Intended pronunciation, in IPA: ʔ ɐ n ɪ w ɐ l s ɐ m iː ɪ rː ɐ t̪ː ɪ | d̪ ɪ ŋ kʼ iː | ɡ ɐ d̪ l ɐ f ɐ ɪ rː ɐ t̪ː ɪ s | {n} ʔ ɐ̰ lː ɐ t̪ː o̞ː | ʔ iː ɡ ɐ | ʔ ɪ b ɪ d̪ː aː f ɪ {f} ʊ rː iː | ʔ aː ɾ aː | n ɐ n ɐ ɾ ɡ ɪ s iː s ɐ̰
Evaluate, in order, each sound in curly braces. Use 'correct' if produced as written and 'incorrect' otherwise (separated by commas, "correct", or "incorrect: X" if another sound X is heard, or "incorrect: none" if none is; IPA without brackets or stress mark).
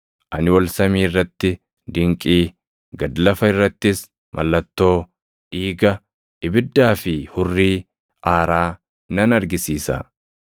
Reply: incorrect: m, incorrect: h